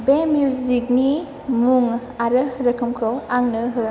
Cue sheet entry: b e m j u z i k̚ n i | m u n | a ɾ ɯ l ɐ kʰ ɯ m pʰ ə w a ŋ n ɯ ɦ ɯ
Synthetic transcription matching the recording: b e m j u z i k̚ n i | m u ŋ | a ɾ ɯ ɾ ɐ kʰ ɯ m kʰ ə w a ŋ n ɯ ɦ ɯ